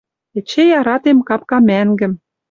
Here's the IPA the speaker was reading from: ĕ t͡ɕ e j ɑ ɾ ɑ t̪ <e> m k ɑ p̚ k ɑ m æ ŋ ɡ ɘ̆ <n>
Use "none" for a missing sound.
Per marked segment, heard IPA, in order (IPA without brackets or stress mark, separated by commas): e, m